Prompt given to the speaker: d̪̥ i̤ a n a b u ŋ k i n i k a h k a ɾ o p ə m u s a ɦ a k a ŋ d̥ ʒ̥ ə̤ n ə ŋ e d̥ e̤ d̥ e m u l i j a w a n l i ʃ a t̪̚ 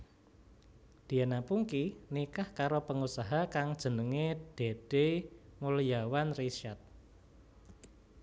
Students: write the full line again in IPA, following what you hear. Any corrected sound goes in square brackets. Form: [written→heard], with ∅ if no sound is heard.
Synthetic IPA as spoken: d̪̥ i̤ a n a [b→p] u ŋ k i n i k a h k a ɾ o p ə [m→ŋ] u s a ɦ a k a ŋ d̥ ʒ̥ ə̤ n ə ŋ e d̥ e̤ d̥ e m u l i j a w a n [l→r] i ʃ a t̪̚